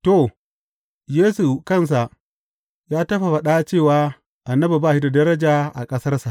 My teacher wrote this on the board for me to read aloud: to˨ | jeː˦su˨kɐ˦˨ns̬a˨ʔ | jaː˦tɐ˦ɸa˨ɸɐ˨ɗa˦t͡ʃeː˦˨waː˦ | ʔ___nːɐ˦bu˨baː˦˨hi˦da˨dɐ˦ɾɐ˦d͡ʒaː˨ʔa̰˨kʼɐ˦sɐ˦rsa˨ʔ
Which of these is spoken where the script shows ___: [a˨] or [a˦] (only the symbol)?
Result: a˨